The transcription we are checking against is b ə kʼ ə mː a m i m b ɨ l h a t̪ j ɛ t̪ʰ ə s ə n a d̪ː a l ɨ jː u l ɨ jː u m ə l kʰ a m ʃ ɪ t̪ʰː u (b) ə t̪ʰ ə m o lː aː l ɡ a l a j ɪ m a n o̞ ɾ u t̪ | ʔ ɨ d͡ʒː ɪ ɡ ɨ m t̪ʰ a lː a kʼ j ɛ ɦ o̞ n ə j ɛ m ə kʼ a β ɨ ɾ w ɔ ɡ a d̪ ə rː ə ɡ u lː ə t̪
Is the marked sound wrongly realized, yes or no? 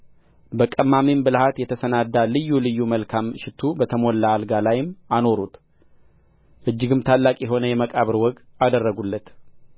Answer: no